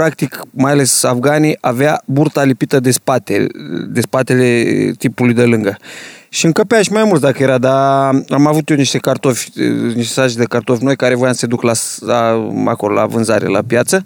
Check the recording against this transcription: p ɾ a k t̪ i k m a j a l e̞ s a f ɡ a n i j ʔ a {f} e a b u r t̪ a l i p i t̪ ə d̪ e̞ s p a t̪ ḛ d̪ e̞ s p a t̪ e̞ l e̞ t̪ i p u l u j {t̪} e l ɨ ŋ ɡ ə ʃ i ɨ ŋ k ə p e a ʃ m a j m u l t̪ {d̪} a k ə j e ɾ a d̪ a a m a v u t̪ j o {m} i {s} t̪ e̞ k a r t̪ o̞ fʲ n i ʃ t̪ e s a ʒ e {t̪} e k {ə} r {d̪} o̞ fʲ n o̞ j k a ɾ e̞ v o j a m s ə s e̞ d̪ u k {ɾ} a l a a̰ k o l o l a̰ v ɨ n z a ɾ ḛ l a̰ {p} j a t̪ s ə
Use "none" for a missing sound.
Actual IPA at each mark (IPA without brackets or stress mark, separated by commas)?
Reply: v, d̪, d̪, n, ʃ, d̪, a, t̪, l, p